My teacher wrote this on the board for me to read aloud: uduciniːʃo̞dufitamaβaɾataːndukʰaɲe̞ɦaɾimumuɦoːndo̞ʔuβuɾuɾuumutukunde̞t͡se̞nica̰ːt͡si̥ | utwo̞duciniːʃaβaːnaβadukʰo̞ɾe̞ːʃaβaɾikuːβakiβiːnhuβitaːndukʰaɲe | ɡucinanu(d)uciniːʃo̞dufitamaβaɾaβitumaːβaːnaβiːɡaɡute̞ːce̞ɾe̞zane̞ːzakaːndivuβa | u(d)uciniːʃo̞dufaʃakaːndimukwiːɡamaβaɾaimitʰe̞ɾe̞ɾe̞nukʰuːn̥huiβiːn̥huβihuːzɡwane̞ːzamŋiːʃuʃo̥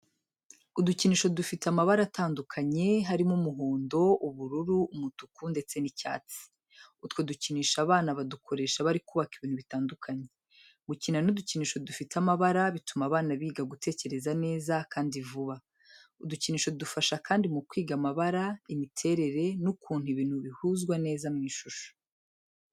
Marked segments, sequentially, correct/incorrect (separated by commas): correct, correct